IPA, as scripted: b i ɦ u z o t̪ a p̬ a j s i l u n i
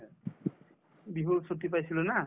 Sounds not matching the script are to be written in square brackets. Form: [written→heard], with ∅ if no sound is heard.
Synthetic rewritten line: b i ɦ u [z→s] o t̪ [a→i] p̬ a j s i l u n [i→a]